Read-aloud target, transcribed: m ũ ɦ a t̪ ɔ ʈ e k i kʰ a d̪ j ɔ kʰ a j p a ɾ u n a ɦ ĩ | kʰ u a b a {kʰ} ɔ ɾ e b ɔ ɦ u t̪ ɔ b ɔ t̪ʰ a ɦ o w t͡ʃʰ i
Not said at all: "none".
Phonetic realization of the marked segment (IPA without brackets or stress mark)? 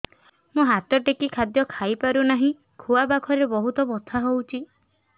kʰ